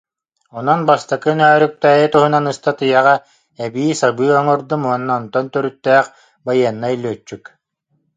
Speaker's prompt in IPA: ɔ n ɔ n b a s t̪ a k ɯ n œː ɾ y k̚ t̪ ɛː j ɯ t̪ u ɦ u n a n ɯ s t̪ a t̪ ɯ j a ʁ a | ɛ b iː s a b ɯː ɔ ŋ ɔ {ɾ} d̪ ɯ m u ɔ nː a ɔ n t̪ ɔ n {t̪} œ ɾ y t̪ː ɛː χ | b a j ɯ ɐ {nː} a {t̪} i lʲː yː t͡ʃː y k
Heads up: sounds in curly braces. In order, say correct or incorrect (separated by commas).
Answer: correct, correct, correct, incorrect